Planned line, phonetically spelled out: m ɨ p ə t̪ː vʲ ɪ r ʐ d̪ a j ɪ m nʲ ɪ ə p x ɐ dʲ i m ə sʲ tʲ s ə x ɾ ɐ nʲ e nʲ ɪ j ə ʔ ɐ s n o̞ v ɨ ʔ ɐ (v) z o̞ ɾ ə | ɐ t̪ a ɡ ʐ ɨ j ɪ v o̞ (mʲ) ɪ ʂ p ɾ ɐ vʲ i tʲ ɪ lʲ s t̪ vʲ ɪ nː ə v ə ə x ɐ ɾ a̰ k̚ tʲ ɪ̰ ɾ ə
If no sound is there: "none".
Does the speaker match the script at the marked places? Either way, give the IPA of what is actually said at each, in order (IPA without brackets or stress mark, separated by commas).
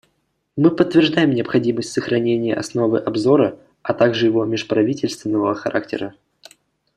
b, mʲ